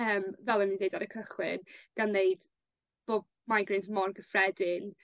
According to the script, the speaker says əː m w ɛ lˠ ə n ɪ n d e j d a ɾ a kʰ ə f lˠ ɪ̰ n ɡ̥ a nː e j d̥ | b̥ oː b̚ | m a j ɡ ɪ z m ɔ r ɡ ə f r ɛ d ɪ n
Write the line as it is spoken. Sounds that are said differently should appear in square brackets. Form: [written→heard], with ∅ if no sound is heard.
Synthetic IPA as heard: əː m [w→v] ɛ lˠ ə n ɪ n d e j d a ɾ [a→ə] kʰ ə [f→χ] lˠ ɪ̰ n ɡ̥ a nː e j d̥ | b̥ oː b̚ | m a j ɡ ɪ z m ɔ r ɡ ə f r ɛ d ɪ n